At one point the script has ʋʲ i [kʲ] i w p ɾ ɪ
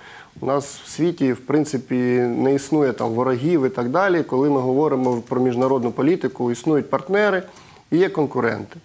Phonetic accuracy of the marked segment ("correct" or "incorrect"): incorrect